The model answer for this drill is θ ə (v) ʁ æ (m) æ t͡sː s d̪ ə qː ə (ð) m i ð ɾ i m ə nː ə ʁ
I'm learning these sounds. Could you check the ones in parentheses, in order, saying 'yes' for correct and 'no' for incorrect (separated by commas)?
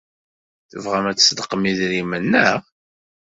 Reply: yes, yes, no